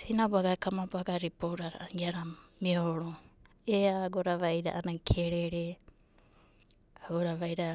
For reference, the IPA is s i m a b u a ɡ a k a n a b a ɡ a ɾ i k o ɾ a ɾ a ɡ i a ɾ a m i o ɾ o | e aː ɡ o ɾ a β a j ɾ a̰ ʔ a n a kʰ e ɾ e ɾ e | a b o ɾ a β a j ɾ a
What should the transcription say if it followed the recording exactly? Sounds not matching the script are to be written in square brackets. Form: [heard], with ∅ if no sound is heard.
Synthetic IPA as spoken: s i [n] a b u a ɡ a k a [m] a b a ɡ a ɾ i [p] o ɾ a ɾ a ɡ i a ɾ a m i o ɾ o | e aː ɡ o ɾ a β a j ɾ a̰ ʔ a n a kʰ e ɾ e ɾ e | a [ɡ] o ɾ a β a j ɾ a